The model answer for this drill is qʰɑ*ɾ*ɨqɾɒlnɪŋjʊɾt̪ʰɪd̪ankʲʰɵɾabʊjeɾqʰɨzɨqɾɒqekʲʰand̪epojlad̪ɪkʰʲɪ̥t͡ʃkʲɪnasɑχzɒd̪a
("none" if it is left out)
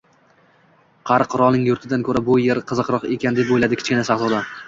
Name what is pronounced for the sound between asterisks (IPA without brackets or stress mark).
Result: ɾ